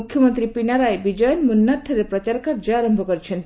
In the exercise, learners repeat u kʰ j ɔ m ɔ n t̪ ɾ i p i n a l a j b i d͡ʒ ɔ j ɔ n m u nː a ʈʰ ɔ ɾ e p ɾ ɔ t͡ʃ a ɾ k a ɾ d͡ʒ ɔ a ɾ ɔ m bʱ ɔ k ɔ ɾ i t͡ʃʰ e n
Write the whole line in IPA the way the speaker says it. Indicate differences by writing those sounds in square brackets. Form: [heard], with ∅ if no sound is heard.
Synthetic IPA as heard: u kʰ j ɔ m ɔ n t̪ ɾ i p i n a [ɾ] a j b i d͡ʒ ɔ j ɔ n m u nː a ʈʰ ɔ ɾ e p ɾ ɔ t͡ʃ a ɾ k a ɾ d͡ʒ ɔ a ɾ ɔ m bʱ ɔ k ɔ ɾ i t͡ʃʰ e n